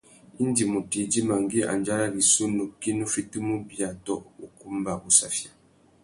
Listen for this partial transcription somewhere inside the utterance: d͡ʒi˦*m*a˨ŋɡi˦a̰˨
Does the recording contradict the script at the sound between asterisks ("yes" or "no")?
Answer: no